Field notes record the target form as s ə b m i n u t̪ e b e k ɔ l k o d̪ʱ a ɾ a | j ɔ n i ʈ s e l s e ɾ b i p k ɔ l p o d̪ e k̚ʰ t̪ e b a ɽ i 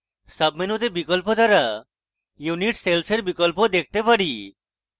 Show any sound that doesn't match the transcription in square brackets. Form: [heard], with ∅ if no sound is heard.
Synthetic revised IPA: s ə b m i n u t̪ e b [i] k ɔ l [p] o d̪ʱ a ɾ a | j [u] n i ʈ s e l s e ɾ b i [∅] k ɔ l p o d̪ e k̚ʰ t̪ e [p] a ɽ i